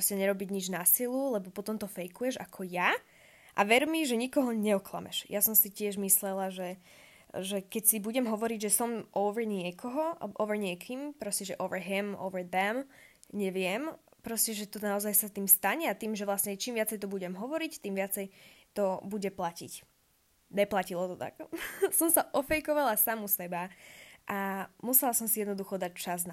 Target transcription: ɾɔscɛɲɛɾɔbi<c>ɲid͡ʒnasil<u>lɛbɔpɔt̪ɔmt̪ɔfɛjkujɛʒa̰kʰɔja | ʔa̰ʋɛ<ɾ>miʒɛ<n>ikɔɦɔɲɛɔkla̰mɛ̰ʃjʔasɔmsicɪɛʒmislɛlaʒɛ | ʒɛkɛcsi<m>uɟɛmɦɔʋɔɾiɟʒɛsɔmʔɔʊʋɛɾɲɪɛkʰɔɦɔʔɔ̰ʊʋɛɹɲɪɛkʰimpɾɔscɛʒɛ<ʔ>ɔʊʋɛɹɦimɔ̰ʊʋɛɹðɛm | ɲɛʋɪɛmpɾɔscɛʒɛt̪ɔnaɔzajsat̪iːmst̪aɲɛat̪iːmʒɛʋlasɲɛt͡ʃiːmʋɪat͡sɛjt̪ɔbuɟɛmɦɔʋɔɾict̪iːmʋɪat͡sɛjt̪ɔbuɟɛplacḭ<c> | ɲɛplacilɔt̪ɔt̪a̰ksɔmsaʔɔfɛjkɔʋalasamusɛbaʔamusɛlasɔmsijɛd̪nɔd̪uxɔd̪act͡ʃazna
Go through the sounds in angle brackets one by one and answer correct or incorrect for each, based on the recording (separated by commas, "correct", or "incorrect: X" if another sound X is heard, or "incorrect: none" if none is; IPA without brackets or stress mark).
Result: incorrect: ɟ, correct, correct, incorrect: ɲ, incorrect: b, correct, correct